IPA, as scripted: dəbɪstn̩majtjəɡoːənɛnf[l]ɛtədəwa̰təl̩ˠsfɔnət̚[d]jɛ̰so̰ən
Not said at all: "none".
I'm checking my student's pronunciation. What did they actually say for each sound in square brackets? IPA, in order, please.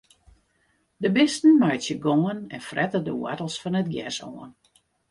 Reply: r, ɡ

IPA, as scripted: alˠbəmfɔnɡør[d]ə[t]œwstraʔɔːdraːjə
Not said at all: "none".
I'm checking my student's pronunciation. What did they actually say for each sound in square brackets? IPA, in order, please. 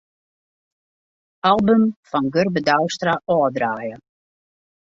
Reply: b, d

